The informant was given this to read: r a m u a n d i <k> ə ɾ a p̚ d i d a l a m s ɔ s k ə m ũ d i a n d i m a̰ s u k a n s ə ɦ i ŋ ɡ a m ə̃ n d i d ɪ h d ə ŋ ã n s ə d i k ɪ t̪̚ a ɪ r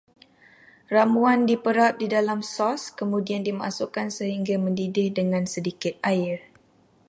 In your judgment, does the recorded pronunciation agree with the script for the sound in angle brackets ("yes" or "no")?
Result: no